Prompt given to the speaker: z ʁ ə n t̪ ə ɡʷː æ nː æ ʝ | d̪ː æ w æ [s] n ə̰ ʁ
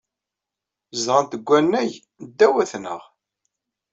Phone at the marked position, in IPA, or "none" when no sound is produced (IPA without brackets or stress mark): θ